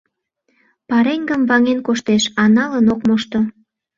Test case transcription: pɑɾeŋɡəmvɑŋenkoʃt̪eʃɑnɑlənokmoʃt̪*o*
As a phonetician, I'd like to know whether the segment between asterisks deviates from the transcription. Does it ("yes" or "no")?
no